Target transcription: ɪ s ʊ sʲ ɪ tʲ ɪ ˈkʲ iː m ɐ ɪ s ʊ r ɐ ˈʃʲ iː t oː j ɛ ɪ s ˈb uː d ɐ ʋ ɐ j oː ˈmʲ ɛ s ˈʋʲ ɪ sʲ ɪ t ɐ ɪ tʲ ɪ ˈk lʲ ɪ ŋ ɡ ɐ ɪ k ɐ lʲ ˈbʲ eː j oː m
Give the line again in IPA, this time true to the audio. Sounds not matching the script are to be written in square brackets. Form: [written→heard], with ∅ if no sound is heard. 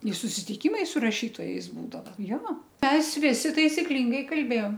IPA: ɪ s ʊ sʲ ɪ tʲ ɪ ˈkʲ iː m ɐ ɪ s ʊ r ɐ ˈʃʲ iː t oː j ɛ ɪ s ˈb uː d ɐ ʋ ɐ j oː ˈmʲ ɛ s ˈʋʲ ɪ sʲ ɪ t ɐ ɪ [tʲ→sʲ] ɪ ˈk lʲ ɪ ŋ ɡ ɐ ɪ k ɐ lʲ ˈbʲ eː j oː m